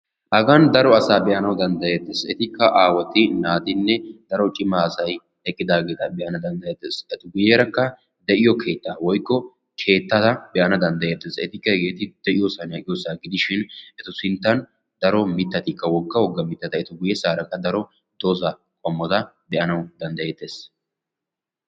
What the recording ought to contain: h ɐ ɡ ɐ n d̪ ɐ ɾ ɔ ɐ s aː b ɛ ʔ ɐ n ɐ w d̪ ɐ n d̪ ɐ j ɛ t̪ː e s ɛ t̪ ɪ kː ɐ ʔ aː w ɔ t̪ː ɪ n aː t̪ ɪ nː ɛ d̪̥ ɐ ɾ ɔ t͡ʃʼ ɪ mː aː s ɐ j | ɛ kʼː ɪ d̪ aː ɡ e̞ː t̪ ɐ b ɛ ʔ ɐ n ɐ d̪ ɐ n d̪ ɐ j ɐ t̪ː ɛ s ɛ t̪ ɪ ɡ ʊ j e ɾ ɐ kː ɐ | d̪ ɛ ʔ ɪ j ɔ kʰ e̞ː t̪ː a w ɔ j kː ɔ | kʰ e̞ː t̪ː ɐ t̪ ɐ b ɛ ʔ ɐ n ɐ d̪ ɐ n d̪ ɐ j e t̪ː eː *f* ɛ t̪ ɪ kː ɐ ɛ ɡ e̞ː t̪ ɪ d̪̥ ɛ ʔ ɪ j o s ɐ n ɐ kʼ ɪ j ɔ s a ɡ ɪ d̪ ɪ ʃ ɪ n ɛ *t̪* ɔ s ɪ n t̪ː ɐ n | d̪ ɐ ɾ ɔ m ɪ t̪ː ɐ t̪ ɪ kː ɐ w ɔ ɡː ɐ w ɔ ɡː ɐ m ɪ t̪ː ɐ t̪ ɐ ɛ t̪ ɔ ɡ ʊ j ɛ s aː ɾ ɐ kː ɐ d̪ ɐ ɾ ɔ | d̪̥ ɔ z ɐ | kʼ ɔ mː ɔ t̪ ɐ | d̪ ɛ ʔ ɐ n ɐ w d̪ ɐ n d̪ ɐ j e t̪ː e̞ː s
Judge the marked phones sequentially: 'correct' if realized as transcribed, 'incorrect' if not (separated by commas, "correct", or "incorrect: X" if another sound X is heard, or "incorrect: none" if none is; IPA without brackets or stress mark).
incorrect: s, correct